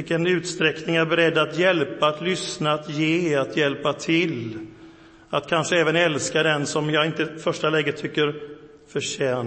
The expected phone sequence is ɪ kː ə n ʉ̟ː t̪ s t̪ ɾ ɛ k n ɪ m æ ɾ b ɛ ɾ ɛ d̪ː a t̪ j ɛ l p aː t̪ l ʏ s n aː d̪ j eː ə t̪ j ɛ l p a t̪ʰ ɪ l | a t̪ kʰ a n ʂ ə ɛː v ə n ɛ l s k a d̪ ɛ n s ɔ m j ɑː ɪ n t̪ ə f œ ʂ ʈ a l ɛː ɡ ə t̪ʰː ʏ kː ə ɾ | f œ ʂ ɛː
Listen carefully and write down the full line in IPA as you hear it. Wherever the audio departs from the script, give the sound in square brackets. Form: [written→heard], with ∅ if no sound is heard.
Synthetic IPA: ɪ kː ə n ʉ̟ː t̪ s t̪ ɾ ɛ k n ɪ [m→ŋ] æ ɾ b ɛ ɾ ɛ d̪ː a t̪ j ɛ l p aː t̪ l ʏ s n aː [d̪→t̪] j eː [ə→a] t̪ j ɛ l p a t̪ʰ ɪ l | a t̪ kʰ a n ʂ ə ɛː v ə n ɛ l s k a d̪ ɛ n s ɔ m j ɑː ɪ n t̪ ə f œ ʂ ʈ a l ɛː ɡ ə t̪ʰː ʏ kː ə ɾ | f œ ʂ ɛː